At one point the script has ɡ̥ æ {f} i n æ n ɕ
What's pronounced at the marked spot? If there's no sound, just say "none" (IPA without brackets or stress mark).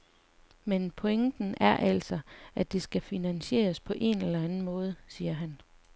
f